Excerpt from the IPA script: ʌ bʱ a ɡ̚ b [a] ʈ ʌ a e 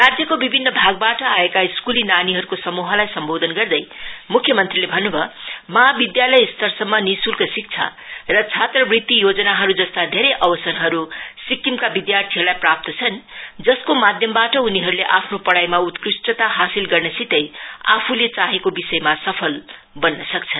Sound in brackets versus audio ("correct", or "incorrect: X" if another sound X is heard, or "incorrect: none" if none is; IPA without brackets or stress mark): correct